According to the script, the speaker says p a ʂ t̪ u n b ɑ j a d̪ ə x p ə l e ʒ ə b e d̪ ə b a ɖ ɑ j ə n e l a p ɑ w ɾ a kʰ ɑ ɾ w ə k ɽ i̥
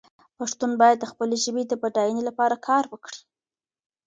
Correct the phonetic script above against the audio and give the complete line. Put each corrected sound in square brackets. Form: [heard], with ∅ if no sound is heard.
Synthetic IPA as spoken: p a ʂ t̪ u n b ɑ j a [d̪ː] ə x p ə l e ʒ ə b e d̪ ə b a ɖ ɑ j ə n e l a p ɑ [∅] ɾ a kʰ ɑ ɾ w ə k ɽ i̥